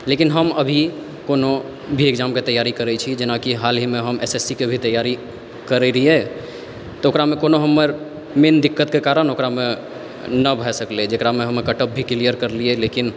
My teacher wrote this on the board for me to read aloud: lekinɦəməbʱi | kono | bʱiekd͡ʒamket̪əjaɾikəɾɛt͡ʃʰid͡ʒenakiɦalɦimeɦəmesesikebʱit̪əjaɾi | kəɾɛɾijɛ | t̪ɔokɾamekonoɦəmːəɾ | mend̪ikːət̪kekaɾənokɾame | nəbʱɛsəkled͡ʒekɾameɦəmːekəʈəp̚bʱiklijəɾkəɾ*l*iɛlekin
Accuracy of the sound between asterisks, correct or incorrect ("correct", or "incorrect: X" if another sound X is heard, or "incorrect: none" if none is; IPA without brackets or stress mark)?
correct